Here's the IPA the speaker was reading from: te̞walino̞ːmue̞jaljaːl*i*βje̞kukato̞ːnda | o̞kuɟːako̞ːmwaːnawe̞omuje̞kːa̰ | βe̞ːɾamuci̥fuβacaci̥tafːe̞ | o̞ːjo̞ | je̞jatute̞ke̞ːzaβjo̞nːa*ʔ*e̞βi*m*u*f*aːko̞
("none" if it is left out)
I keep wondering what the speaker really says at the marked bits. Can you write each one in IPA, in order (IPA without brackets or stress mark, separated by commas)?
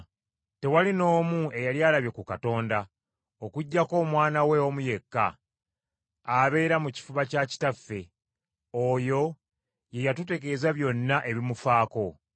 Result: a, ʔ, m, f